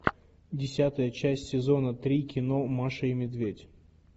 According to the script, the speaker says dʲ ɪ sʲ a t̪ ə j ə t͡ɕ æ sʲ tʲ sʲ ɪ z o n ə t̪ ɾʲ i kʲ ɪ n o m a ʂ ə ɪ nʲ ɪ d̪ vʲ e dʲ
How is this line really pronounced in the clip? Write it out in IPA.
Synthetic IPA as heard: dʲ ɪ sʲ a t̪ ə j ə t͡ɕ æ sʲ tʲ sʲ ɪ z o n ə t̪ ɾʲ i kʲ ɪ n o m a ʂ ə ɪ mʲ ɪ d̪ vʲ e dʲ